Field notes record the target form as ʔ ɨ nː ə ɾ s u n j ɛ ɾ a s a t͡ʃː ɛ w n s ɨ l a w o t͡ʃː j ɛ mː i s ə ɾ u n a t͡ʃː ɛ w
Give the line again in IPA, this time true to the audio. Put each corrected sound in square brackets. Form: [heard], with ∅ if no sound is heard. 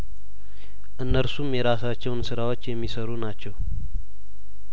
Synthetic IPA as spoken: ʔ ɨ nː ə ɾ s u [m] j ɛ ɾ a s a t͡ʃː ɛ w n s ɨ [ɾ] a w o t͡ʃː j ɛ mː i s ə ɾ u n a t͡ʃː ɛ w

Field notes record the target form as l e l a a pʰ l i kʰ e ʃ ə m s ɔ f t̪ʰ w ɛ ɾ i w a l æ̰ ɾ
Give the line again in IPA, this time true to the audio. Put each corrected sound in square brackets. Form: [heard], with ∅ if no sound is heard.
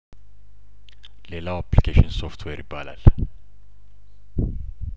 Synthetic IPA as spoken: l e l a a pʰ l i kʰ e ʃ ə [n] s ɔ f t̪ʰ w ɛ ɾ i [b] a l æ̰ [l]

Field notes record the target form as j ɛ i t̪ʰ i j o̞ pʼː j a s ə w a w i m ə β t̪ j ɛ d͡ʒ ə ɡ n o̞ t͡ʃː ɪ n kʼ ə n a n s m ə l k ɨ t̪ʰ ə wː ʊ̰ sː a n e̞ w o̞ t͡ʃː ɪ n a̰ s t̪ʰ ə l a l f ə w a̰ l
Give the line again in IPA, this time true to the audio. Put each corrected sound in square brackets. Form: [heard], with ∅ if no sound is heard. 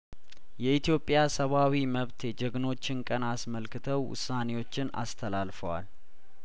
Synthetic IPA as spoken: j ɛ i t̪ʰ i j o̞ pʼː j a s ə [β] a w i m ə β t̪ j ɛ d͡ʒ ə ɡ n o̞ t͡ʃː ɪ n kʼ ə n a [∅] s m ə l k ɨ t̪ʰ ə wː ʊ̰ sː a n e̞ w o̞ t͡ʃː ɪ n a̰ s t̪ʰ ə l a l f ə w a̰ l

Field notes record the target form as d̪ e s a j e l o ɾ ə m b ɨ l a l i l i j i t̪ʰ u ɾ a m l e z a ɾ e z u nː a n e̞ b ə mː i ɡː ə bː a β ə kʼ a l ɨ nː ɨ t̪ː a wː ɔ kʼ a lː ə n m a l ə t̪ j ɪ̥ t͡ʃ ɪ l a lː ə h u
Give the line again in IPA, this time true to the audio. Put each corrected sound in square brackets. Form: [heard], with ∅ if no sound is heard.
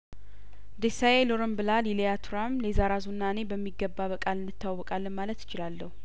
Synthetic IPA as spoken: d̪ e s a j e l o ɾ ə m b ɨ l a l i l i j [a] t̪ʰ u ɾ a m l e z a ɾ [a] z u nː a n e̞ b ə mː i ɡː ə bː a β ə kʼ a l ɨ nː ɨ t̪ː a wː ɔ kʼ a lː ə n m a l ə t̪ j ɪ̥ t͡ʃ ɪ l a lː ə h u

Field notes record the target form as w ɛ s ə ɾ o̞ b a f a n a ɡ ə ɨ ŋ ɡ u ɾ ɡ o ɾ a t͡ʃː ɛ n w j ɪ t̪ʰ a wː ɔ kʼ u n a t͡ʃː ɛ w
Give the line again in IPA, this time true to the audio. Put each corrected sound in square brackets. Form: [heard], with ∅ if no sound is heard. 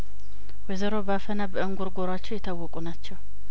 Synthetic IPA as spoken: w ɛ [z] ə ɾ o̞ b a f [ə] n a [b] ə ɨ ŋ ɡ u ɾ ɡ o ɾ a t͡ʃː ɛ [∅] w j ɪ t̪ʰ a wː ɔ kʼ u n a t͡ʃː ɛ w

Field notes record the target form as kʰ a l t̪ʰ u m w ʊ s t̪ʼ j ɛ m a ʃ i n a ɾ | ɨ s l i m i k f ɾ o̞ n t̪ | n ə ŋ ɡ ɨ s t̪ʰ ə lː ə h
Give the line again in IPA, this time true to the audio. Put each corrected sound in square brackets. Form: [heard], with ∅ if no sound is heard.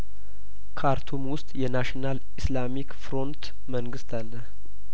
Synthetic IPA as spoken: kʰ a [ɾ] t̪ʰ u m w ʊ s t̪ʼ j ɛ [n] a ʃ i n a [l] | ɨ s l [a] m i k f ɾ o̞ n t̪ | [m] ə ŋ ɡ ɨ s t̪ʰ [a] lː ə h

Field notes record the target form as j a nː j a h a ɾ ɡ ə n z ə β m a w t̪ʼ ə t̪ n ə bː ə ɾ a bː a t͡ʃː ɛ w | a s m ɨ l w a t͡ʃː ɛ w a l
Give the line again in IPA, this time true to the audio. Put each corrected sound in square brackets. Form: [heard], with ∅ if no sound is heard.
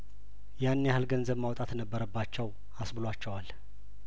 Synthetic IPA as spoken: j a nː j a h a [l] ɡ ə n z ə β m a w t̪ʼ [a] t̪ n ə bː ə ɾ [ə] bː a t͡ʃː ɛ w | a s [b] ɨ l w a t͡ʃː ɛ w a l

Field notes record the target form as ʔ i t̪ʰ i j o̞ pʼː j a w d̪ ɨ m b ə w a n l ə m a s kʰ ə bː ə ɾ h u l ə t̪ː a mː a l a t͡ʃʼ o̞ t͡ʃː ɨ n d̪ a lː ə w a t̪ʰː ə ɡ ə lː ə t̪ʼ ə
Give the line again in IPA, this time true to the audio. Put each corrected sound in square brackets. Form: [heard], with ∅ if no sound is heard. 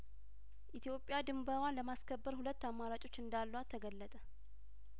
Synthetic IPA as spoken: ʔ i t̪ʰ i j o̞ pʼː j a [∅] d̪ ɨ m b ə w a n l ə m a s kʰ ə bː ə ɾ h u l ə t̪ː a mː a [ɾ] a t͡ʃʼ o̞ t͡ʃː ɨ n d̪ a lː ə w a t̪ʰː ə ɡ ə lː ə t̪ʼ ə

